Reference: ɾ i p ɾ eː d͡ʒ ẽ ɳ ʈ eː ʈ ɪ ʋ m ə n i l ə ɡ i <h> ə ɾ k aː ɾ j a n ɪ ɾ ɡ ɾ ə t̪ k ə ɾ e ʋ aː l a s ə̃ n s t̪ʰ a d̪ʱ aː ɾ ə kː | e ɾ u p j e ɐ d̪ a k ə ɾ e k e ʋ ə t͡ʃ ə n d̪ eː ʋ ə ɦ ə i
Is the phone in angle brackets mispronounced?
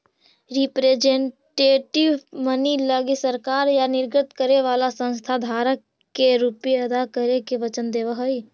yes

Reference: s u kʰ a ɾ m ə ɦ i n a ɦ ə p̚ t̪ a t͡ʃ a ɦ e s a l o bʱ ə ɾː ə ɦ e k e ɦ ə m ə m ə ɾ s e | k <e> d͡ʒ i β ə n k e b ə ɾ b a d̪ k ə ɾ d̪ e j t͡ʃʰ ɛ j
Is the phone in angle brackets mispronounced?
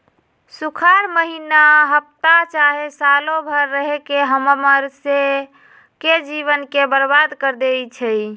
no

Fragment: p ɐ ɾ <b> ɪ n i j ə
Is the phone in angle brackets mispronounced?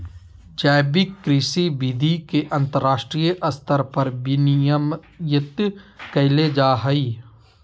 no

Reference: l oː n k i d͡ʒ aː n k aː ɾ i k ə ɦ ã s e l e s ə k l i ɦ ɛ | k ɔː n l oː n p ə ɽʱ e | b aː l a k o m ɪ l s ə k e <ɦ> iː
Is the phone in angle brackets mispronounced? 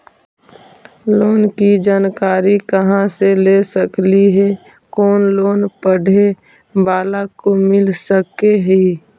no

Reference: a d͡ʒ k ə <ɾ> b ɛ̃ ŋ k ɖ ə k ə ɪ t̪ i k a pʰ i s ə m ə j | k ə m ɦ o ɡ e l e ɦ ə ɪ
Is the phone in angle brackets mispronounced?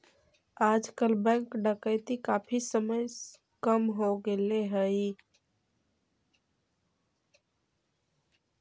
yes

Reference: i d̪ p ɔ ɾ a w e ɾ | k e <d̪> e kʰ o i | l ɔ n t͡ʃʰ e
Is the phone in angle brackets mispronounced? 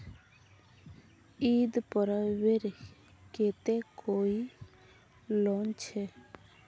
yes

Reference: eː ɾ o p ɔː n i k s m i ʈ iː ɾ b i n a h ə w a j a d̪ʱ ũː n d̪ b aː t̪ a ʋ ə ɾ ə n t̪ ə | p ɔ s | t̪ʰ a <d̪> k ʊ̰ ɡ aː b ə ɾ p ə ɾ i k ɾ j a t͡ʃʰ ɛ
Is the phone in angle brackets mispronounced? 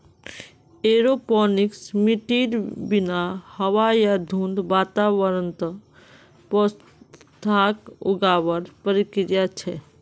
yes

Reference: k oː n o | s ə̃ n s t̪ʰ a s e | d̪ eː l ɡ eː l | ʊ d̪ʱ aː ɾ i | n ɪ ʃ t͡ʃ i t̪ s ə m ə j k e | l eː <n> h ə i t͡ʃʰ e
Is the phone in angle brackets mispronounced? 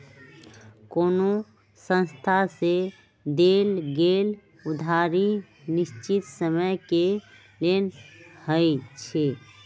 no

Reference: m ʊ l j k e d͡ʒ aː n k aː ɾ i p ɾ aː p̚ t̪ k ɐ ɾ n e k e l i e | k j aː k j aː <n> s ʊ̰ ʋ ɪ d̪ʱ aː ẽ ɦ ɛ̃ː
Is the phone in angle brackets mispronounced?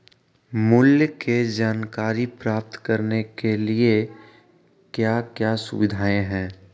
yes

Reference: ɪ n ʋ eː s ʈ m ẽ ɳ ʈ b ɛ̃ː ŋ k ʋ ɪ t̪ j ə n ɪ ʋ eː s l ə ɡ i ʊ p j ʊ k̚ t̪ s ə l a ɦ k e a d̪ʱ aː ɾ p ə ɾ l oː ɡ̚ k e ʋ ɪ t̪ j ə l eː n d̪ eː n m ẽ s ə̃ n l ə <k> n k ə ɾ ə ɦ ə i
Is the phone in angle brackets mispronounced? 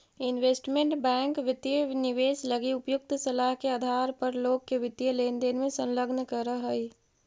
yes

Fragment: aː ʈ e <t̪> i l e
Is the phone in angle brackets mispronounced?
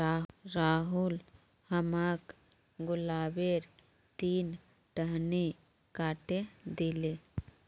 yes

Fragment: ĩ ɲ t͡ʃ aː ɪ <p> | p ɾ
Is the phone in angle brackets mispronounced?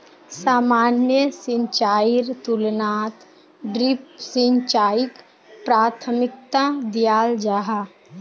yes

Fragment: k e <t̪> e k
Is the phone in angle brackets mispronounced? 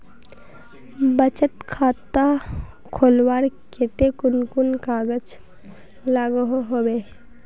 no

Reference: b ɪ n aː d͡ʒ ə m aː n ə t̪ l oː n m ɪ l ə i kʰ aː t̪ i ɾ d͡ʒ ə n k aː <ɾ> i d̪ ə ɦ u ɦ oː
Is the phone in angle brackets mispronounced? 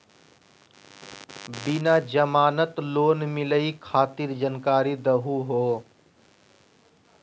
no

